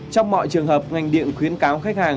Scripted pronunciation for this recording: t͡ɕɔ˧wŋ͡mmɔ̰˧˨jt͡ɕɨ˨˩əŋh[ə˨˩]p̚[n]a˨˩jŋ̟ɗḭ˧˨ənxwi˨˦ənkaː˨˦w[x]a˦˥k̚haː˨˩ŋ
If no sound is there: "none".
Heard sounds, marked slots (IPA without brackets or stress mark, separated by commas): əː˨˩, ŋ, x